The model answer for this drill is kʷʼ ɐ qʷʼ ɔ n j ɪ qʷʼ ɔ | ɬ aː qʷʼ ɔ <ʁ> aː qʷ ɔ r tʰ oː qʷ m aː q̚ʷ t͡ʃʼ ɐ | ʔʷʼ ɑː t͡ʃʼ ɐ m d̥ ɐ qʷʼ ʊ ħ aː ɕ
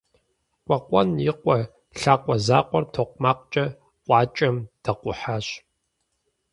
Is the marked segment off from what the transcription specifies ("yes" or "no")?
yes